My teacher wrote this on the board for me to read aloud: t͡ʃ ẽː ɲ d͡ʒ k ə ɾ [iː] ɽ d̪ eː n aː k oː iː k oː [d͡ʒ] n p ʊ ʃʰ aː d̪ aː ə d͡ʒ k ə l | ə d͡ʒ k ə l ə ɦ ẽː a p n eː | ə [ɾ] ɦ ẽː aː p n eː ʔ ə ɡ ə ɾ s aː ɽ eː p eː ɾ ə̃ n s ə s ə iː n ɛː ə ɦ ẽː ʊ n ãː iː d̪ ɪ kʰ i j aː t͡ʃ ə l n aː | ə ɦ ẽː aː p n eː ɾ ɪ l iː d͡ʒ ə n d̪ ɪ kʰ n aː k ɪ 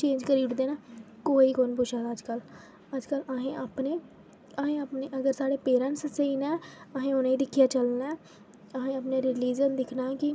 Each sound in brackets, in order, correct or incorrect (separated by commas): correct, incorrect, incorrect